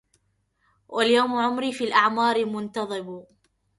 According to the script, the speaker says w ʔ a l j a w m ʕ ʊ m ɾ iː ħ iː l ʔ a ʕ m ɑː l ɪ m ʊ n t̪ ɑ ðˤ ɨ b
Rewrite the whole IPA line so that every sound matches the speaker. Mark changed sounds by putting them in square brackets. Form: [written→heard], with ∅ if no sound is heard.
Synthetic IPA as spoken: w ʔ a l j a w m ʕ ʊ m ɾ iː [ħ→f] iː l ʔ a ʕ m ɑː [l→ɾ] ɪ m ʊ n t̪ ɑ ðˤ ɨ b